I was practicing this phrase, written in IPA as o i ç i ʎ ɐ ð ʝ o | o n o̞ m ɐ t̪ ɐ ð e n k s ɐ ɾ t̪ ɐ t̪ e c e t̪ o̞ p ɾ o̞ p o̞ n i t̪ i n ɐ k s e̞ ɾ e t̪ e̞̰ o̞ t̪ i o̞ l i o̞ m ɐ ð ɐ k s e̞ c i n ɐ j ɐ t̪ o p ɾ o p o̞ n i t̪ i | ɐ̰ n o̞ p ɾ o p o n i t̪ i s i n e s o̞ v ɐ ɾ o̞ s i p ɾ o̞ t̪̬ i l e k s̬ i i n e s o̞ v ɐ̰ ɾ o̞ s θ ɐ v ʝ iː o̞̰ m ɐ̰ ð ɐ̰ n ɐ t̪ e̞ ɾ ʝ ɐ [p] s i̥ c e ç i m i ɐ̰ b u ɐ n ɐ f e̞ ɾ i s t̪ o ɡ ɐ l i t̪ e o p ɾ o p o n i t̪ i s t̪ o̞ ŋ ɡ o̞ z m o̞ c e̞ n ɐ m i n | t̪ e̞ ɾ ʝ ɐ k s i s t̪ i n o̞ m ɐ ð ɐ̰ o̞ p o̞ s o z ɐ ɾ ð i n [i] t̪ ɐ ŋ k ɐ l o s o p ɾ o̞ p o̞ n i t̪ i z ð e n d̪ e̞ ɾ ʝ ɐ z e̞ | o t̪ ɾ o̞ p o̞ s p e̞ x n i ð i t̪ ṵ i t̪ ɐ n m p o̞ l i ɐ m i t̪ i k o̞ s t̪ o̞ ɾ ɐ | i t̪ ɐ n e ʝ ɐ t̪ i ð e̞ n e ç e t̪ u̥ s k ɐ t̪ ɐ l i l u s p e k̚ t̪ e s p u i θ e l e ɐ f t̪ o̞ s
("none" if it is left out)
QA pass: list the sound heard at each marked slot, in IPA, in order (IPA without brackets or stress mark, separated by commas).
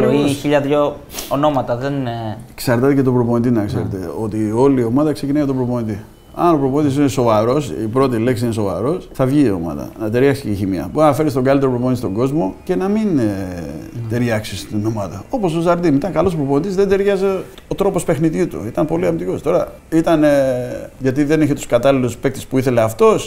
k, i